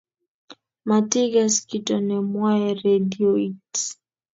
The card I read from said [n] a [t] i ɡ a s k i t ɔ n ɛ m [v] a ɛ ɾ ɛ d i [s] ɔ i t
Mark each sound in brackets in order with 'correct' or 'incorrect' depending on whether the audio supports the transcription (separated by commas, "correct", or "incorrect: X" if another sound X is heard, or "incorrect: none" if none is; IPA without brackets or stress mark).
incorrect: m, correct, incorrect: w, incorrect: none